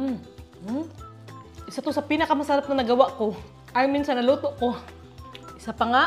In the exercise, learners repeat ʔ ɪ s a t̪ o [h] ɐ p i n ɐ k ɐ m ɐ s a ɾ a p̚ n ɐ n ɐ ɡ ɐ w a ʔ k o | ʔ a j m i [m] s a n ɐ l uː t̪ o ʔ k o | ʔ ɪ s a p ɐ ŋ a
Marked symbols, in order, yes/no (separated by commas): no, no